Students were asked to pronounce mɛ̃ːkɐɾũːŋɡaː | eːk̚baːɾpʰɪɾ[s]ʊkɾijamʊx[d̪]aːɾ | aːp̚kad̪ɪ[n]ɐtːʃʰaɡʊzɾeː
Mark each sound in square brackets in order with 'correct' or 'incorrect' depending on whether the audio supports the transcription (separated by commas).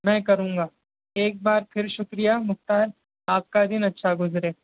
incorrect, incorrect, correct